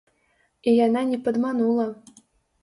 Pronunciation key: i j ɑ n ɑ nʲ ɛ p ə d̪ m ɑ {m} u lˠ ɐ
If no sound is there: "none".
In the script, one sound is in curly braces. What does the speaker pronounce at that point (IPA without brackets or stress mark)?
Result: n